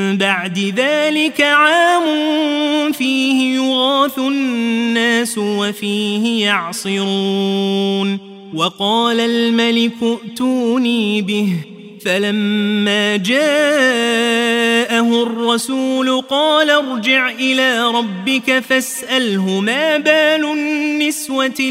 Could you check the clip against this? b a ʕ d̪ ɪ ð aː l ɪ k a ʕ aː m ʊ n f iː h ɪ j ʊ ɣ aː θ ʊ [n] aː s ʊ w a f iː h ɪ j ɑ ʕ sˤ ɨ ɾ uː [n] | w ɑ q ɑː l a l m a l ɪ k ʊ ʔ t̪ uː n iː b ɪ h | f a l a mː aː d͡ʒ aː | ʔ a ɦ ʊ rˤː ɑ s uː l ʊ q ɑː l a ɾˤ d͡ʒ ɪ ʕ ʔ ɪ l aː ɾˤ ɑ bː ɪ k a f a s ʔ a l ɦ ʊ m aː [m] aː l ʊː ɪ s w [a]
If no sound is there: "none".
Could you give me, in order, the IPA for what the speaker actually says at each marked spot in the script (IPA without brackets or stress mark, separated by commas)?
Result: nː, n, b, a